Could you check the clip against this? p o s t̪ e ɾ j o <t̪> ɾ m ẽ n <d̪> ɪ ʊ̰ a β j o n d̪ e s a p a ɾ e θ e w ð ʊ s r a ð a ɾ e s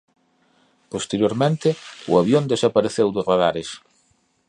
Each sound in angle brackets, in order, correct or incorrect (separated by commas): incorrect, incorrect